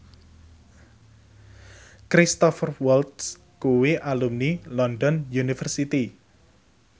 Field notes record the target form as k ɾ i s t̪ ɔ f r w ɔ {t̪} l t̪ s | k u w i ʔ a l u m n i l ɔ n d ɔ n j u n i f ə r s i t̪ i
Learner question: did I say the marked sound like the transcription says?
no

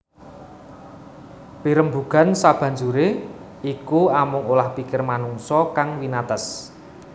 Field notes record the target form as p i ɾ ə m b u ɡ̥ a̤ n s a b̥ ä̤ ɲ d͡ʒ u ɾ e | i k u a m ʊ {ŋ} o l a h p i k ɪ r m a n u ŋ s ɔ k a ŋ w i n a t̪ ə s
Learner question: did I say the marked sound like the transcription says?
yes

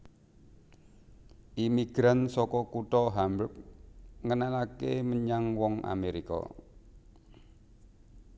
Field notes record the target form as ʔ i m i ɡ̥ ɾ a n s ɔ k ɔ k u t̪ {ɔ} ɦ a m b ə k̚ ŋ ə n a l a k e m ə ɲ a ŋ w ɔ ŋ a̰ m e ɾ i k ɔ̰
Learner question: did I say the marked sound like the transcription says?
yes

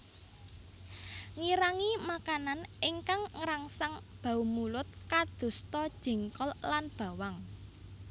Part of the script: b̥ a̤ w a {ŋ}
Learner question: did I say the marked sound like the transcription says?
yes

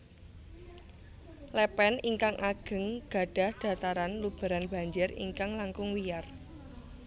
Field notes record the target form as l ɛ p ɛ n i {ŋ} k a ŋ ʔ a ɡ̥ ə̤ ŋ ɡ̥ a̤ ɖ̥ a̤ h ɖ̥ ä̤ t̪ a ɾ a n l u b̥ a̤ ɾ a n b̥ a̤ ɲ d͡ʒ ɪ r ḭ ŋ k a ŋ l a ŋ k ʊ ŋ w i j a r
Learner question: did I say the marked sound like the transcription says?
yes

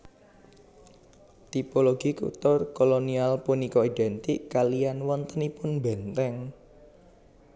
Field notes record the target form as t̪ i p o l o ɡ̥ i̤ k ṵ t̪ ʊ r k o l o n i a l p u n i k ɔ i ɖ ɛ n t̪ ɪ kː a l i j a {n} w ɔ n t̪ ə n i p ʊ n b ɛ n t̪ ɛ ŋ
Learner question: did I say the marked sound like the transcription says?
yes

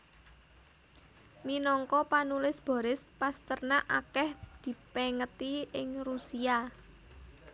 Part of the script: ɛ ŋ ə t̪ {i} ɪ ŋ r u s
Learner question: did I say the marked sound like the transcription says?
yes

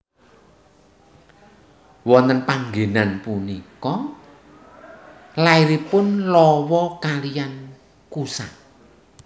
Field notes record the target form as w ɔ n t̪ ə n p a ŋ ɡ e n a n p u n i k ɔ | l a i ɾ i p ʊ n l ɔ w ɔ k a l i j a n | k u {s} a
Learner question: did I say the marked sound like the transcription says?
yes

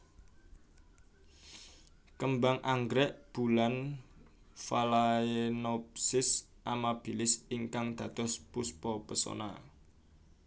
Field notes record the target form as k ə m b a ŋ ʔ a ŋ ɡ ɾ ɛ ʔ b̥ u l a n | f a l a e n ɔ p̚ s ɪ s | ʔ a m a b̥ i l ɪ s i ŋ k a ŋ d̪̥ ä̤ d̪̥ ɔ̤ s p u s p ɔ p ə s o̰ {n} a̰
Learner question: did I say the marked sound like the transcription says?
yes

